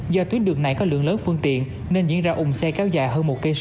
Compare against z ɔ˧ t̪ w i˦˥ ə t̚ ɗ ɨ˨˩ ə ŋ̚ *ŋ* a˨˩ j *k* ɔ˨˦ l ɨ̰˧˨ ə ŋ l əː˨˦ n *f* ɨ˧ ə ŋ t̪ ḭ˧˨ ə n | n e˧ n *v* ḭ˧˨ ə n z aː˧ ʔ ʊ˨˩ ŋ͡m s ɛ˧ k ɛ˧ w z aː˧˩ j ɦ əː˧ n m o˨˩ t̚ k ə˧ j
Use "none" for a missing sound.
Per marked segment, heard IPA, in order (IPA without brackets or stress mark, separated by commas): n, k, f, z